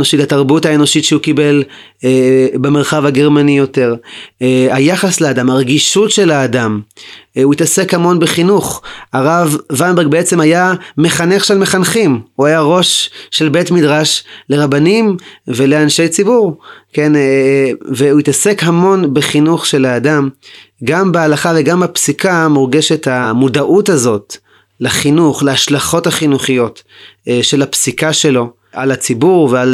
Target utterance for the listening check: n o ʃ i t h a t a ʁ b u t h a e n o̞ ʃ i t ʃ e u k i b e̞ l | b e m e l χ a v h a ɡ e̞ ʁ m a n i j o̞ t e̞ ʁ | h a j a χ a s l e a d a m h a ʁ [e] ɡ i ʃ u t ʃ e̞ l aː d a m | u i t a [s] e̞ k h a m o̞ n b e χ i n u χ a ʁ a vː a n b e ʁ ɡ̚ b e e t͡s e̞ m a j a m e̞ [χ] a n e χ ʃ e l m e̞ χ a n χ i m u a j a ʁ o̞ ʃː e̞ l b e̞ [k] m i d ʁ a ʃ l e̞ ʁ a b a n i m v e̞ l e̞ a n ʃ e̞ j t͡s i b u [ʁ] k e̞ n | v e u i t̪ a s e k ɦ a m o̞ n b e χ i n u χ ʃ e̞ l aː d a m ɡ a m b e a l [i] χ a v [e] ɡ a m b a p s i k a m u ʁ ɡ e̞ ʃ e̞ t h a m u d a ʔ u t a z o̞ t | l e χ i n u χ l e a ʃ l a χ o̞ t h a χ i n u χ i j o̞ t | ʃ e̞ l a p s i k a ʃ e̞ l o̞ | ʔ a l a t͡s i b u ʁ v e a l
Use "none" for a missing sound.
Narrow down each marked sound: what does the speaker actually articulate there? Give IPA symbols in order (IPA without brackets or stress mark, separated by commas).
e, s, χ, t, ʁ, a, e